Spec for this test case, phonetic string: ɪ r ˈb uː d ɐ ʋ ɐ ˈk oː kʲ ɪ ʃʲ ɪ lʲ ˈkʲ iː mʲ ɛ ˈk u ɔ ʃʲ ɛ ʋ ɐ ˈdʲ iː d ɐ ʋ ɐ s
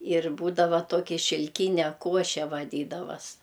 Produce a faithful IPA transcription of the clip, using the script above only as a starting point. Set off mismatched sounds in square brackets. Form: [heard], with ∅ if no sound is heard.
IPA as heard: ɪ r ˈb uː d ɐ ʋ ɐ [ˈt] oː kʲ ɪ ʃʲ ɪ lʲ ˈkʲ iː [nʲ] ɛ ˈk u ɔ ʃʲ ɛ ʋ ɐ ˈdʲ iː d ɐ ʋ ɐ s

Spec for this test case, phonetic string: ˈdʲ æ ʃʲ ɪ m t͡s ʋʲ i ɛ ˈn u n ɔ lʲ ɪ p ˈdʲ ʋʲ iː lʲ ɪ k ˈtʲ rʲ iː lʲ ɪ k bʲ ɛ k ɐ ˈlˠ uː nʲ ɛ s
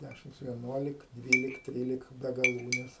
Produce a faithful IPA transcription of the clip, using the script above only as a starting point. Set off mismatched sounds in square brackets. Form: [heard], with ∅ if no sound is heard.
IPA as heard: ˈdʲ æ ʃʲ ɪ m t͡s ʋʲ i ɛ ˈn u [∅] ɔ lʲ ɪ [k] ˈdʲ ʋʲ iː lʲ ɪ k ˈtʲ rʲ iː lʲ ɪ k bʲ ɛ [ɡ] ɐ ˈlˠ uː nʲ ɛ s

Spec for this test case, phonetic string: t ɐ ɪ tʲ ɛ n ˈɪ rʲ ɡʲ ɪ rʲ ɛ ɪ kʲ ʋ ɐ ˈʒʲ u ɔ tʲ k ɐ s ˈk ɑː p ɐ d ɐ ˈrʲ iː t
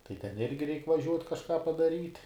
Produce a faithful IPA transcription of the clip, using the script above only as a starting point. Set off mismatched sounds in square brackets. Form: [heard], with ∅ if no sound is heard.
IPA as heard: t ɐ ɪ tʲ ɛ n ˈɪ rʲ ɡʲ ɪ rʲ ɛ ɪ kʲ ʋ ɐ ˈʒʲ u ɔ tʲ k ɐ [ʃ] ˈk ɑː p ɐ d ɐ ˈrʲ iː t

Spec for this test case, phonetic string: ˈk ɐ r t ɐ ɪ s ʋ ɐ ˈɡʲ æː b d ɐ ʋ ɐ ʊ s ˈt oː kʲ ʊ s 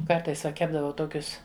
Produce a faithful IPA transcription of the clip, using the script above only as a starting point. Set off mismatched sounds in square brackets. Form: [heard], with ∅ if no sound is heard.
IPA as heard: ˈk ɐ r t ɐ ɪ s ʋ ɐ [ˈkʲ] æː b d ɐ ʋ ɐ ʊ [∅] ˈt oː kʲ ʊ s

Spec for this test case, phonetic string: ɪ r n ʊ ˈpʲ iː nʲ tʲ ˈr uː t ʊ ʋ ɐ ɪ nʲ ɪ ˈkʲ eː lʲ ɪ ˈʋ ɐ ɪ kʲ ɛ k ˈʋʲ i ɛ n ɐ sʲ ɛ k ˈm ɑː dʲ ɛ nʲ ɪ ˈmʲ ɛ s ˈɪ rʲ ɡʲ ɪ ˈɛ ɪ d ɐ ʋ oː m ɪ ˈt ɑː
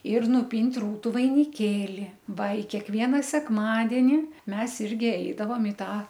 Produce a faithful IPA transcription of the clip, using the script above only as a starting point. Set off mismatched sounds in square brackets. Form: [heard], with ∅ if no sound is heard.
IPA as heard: ɪ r n ʊ ˈpʲ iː nʲ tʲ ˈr uː t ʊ ʋ ɐ ɪ nʲ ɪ ˈkʲ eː lʲ ɪ ˈʋ ɐ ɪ kʲ ɛ k ˈʋʲ i ɛ n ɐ sʲ ɛ k ˈm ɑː dʲ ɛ nʲ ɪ ˈmʲ ɛ s ˈɪ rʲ ɡʲ ɪ ˈɛ ɪ d ɐ ʋ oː m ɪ ˈt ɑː

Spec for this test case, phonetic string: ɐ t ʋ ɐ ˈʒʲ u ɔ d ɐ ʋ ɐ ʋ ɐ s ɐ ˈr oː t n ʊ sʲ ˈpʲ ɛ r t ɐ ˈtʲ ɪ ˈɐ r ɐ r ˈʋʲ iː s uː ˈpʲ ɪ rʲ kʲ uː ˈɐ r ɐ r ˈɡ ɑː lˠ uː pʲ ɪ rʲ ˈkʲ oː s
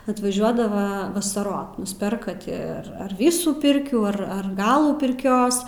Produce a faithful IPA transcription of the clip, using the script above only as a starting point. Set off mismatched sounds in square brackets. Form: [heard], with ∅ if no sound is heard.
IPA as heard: ɐ t ʋ ɐ ˈʒʲ u ɔ d ɐ ʋ ɐ ʋ ɐ s ɐ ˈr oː t n ʊ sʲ ˈpʲ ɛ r [k] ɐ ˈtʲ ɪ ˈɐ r ɐ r ˈʋʲ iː s uː ˈpʲ ɪ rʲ kʲ uː ˈɐ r ɐ r ˈɡ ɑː lˠ uː pʲ ɪ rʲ ˈkʲ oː s

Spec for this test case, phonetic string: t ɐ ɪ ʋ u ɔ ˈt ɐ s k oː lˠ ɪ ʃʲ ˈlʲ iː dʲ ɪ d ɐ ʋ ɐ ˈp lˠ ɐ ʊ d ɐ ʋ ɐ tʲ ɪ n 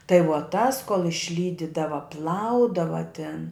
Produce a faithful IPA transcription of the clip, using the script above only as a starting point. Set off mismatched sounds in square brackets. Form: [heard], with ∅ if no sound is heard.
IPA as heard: t ɐ ɪ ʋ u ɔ ˈt ɐ s k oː lˠ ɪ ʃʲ ˈlʲ iː dʲ ɪ d ɐ ʋ ɐ ˈp lˠ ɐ ʊ d ɐ ʋ ɐ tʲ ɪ n

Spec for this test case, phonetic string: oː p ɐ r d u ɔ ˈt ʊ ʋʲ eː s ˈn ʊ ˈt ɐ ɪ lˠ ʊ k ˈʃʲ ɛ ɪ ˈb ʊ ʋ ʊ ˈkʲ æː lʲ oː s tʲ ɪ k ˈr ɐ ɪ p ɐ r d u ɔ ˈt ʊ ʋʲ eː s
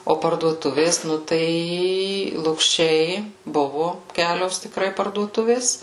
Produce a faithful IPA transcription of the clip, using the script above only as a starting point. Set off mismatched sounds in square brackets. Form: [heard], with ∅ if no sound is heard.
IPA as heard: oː p ɐ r d u ɔ ˈt ʊ ʋʲ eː s ˈn ʊ ˈt ɐ ɪ lˠ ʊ k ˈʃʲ ɛ ɪ ˈb ʊ ʋ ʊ ˈkʲ æː lʲ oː s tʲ ɪ k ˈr ɐ ɪ p ɐ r d u ɔ ˈt ʊ ʋʲ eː s

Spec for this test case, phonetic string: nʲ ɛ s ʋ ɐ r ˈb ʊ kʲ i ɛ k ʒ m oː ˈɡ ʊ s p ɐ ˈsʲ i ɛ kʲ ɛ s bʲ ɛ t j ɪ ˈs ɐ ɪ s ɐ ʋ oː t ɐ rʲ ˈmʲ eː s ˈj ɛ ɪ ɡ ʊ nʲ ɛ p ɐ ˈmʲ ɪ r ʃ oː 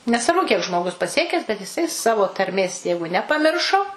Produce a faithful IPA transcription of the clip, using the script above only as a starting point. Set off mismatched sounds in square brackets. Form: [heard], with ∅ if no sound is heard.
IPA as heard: nʲ ɛ s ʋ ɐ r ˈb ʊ kʲ i ɛ k ʒ m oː ˈɡ ʊ s p ɐ ˈsʲ i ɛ kʲ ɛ s bʲ ɛ t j ɪ ˈs ɐ ɪ s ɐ ʋ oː t ɐ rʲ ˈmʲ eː s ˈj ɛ ɪ ɡ ʊ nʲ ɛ p ɐ ˈmʲ ɪ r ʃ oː

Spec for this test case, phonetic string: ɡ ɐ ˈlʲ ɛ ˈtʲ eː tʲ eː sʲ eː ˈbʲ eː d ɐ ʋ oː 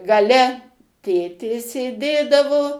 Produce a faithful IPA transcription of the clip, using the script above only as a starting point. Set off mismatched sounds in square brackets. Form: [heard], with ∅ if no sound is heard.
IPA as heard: ɡ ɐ ˈlʲ ɛ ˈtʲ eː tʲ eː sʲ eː [ˈdʲ] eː d ɐ ʋ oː

